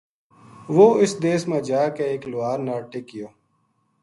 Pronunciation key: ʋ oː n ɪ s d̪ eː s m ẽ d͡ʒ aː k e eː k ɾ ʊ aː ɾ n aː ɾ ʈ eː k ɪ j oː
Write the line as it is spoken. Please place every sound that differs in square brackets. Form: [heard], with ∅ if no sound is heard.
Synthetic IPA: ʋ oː [∅] ɪ s d̪ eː s m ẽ d͡ʒ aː k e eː k [l] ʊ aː ɾ n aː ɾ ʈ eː k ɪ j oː